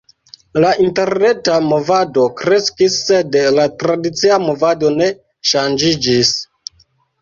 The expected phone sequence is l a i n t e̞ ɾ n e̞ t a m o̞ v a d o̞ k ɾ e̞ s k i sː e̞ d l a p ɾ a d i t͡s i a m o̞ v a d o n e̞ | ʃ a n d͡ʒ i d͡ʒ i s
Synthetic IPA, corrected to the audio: l a i n t e̞ ɾ n e̞ t a m o̞ v a d o̞ k ɾ e̞ s k i sː e̞ d l a t ɾ a d i t͡s i a m o̞ v a d o n e̞ | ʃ a n d͡ʒ i d͡ʒ i s